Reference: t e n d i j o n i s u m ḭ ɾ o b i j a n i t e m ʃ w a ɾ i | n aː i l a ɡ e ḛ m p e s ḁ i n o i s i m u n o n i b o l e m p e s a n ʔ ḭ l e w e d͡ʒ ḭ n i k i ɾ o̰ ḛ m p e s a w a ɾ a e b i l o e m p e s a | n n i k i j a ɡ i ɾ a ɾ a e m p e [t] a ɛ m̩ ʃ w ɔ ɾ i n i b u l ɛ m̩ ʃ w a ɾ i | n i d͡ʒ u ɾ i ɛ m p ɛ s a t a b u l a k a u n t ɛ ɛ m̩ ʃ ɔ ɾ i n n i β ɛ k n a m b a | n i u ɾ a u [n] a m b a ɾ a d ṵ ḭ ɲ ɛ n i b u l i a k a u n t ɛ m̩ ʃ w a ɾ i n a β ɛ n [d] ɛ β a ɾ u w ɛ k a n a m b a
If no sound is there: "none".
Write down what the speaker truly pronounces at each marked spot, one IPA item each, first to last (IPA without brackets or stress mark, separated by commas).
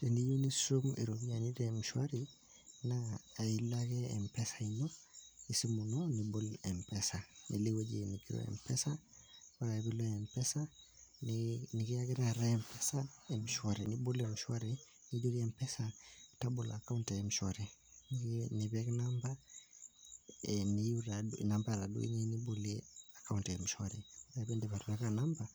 s, n, d